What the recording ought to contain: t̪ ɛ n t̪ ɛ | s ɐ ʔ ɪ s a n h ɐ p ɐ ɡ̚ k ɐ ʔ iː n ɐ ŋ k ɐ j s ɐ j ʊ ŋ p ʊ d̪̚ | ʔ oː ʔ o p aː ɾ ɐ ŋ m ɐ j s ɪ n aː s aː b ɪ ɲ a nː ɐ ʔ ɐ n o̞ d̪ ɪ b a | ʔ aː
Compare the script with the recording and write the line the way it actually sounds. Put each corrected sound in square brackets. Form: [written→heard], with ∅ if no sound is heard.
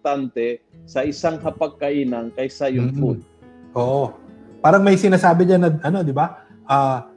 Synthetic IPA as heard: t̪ [ɛ→a] n t̪ ɛ | s ɐ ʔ ɪ s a [n→ŋ] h ɐ p ɐ ɡ̚ k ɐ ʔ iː n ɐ ŋ k ɐ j s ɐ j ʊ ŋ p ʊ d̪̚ | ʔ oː ʔ o p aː ɾ ɐ ŋ m ɐ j s ɪ n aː s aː b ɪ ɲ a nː ɐ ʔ ɐ n o̞ d̪ ɪ b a | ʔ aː